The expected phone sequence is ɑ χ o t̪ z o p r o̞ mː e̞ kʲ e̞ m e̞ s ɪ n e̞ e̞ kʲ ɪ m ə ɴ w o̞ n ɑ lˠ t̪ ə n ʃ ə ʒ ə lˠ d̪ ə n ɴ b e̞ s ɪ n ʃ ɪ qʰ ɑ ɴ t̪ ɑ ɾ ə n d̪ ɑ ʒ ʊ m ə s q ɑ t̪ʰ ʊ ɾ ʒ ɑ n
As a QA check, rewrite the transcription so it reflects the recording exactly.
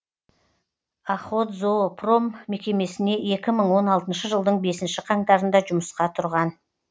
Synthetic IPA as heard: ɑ χ o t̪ z o p r o̞ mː e̞ kʲ e̞ m e̞ s ɪ n e̞ e̞ kʲ ɪ m ə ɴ w o̞ n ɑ lˠ t̪ ə n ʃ ə ʒ ə lˠ d̪ ə ɴ b e̞ s ɪ n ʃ ɪ qʰ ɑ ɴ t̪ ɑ ɾ ə n d̪ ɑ ʒ ʊ m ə s q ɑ t̪ʰ ʊ ɾ ʁ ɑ n

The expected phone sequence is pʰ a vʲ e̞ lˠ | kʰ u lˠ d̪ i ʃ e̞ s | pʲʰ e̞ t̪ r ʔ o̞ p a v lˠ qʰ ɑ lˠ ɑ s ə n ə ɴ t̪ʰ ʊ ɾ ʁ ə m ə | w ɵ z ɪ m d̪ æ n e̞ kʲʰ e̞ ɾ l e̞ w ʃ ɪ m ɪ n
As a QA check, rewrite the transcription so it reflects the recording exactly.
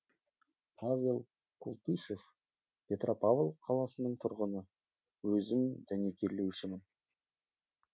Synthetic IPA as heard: pʰ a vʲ e̞ lˠ | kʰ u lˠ t̪ i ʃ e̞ f | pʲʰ e̞ t̪ r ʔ o̞ p a v lˠ qʰ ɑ lˠ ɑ s ə n ə ɴ t̪ʰ ʊ ɾ ʁ ə n ə | w ɵ z ɪ m d̪ æ n e̞ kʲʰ e̞ ɾ l e̞ w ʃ ɪ m ɪ n

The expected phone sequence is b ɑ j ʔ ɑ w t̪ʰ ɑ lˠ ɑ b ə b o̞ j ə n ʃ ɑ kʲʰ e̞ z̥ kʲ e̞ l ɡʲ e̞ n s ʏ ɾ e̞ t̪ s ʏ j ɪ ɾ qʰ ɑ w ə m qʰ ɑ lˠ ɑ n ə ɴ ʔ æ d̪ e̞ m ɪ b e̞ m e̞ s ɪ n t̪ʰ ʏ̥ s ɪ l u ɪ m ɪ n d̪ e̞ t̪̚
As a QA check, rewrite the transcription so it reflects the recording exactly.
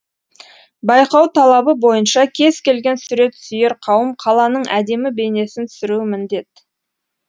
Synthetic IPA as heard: b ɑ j q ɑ w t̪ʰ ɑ lˠ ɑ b ə b o̞ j ə n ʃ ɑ kʲʰ e̞ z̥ kʲ e̞ l ɡʲ e̞ n s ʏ ɾ e̞ t̪ s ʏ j ɪ ɾ qʰ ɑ w ə m qʰ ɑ lˠ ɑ n ə ɴ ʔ æ d̪ e̞ m ɪ b e̞ n e̞ s ɪ n t̪ʰ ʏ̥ s ɪ ɾ u ɪ m ɪ n d̪ e̞ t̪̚

